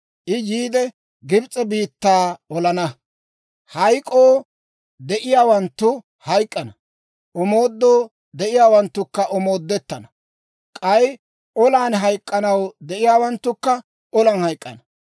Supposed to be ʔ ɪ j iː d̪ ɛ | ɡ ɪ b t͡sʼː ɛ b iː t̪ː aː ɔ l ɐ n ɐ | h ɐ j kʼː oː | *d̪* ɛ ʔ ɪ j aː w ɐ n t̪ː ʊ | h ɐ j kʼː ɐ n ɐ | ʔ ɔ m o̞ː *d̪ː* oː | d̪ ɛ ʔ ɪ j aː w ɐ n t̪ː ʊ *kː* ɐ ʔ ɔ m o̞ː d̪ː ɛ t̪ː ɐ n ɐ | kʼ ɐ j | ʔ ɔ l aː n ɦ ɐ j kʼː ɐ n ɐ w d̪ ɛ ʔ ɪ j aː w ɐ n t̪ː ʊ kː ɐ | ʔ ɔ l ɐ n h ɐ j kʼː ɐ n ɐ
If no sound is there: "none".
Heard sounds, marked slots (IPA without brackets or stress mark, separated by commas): d̪, d̪ː, kː